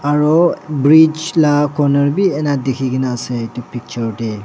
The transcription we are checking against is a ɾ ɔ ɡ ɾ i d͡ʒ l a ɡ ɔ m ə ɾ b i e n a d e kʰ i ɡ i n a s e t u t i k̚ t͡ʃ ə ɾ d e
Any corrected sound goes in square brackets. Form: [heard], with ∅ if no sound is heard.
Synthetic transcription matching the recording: a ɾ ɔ [b] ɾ i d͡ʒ l a [k] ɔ [n] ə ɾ b i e n a d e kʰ i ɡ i n a s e t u [p] i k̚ t͡ʃ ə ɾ d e